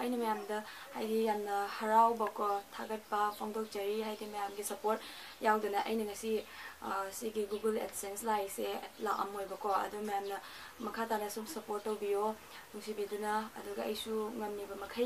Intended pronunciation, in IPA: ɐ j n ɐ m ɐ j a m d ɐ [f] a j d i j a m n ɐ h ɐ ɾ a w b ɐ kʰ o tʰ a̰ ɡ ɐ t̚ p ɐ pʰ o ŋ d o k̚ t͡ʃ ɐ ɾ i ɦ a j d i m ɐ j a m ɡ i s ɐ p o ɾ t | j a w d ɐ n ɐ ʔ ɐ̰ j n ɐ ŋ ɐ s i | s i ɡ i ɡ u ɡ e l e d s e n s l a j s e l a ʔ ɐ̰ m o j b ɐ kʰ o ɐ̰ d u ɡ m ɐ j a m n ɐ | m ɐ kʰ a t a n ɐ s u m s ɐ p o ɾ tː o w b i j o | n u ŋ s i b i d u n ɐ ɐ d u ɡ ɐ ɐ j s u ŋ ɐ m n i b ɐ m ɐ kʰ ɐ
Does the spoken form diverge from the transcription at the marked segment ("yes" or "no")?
yes